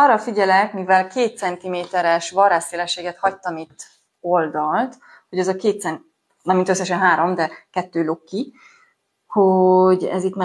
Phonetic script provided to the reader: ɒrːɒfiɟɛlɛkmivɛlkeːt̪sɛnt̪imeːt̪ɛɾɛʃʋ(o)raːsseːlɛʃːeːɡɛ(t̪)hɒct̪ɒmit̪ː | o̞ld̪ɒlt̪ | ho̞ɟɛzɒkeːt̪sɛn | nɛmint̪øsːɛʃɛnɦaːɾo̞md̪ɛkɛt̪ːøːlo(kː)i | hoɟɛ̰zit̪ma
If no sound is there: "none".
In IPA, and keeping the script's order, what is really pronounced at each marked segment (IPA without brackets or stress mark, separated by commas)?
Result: ɒ, t̪, kː